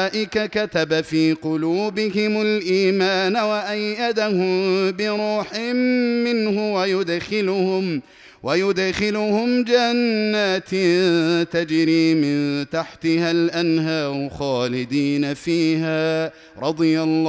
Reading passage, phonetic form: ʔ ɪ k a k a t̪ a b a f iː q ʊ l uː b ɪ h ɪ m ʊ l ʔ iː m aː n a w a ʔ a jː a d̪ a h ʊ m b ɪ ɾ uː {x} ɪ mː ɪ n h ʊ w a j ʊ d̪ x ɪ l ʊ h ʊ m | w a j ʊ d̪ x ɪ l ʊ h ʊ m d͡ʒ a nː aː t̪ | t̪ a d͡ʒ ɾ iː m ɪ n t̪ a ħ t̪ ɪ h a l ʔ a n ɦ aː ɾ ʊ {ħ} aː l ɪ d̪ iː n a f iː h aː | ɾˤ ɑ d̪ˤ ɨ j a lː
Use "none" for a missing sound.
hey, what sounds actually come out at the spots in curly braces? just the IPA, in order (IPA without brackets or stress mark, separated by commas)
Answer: ħ, x